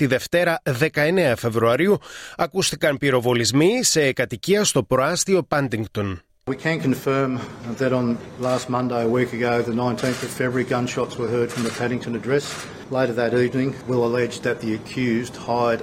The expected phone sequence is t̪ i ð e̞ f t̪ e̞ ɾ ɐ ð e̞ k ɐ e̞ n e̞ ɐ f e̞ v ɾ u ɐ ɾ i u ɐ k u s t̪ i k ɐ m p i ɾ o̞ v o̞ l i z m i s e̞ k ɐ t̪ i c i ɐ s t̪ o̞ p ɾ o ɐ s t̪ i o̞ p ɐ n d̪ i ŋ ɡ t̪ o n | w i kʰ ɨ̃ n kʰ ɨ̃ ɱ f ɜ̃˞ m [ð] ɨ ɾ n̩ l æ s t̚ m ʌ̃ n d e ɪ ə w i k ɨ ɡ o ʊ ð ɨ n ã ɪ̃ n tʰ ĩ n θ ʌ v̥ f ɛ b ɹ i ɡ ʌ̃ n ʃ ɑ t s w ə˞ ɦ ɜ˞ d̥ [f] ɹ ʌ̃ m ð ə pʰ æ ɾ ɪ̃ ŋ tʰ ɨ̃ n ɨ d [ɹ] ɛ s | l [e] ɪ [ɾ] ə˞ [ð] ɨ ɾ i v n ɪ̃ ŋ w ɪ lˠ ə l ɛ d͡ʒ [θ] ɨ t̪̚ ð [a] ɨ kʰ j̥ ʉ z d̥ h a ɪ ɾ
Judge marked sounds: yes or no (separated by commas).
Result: yes, yes, yes, yes, yes, yes, no, no